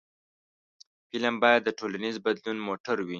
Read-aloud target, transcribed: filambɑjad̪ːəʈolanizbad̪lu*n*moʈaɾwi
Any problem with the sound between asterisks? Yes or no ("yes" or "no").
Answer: no